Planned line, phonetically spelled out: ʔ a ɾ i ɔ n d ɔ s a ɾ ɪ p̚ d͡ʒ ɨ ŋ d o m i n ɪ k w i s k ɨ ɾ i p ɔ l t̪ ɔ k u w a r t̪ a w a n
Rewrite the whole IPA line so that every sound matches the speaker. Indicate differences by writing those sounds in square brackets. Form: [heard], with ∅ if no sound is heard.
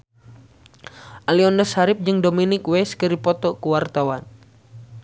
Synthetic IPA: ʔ a [l] i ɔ n d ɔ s a ɾ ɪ p̚ d͡ʒ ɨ ŋ d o m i n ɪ k w [ɛ] s k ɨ ɾ i p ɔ [∅] t̪ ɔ k u w a r t̪ a w a n